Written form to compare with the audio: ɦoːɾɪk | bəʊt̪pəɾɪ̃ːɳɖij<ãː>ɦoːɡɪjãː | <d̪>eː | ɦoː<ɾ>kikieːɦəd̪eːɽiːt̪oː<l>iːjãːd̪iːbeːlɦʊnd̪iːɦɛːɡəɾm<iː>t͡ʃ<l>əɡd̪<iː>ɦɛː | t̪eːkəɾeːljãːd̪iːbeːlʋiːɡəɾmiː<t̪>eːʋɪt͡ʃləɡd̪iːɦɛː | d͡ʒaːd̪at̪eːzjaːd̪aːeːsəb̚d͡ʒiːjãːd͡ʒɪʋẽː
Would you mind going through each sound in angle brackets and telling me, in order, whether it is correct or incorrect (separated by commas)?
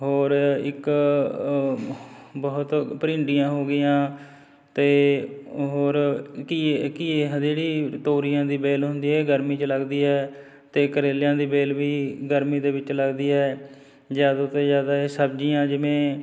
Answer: correct, incorrect, correct, incorrect, correct, correct, correct, incorrect